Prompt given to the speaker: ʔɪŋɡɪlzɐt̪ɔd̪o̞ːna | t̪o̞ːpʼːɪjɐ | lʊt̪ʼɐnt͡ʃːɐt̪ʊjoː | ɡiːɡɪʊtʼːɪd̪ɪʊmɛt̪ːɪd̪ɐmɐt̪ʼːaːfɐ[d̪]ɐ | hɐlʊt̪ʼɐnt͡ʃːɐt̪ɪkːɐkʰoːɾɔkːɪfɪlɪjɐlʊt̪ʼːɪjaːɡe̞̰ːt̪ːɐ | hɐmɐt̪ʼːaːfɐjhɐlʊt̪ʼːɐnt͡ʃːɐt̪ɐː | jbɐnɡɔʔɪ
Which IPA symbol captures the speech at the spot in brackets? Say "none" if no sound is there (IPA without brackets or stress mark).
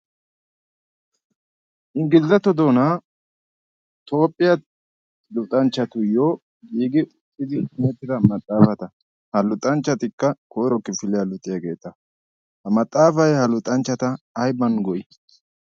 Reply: t̪